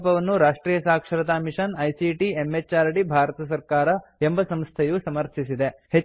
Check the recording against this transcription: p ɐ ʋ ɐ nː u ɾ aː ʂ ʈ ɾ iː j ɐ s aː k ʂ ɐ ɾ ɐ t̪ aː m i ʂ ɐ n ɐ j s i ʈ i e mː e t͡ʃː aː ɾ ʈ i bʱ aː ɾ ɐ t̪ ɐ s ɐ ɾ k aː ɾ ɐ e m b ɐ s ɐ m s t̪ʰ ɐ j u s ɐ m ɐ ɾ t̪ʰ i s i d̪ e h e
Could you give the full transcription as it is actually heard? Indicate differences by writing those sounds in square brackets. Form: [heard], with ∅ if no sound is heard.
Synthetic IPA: p ɐ ʋ ɐ nː u ɾ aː ʂ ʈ ɾ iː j ɐ s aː k ʂ ɐ ɾ ɐ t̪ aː m i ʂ ɐ n ɐ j s i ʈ i e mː e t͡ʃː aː ɾ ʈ i bʱ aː ɾ ɐ t̪ ɐ s ɐ ɾ k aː ɾ ɐ e m b ɐ s ɐ m s t̪ʰ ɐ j u s ɐ m ɐ ɾ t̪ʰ i s i d̪ e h e